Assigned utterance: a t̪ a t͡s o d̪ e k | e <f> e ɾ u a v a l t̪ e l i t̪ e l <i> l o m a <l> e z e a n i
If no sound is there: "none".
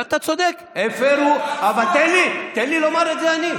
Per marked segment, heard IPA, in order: f, i, ɾ

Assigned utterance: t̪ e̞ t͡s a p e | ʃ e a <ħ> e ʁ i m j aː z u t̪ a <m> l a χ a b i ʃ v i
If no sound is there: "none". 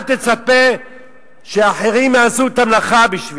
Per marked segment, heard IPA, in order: ħ, m

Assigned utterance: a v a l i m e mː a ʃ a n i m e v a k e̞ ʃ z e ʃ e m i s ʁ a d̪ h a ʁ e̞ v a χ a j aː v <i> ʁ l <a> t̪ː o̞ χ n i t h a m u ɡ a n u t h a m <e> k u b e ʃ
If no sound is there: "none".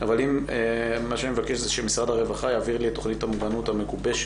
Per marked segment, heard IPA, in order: i, i, e

